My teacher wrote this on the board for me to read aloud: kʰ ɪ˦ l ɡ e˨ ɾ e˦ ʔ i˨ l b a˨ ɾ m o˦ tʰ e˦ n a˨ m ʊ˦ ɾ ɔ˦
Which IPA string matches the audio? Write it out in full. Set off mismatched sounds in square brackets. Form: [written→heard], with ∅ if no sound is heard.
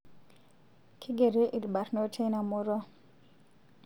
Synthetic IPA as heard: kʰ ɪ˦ [l→∅] ɡ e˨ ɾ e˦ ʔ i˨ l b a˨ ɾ [m→n] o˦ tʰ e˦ n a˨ m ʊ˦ ɾ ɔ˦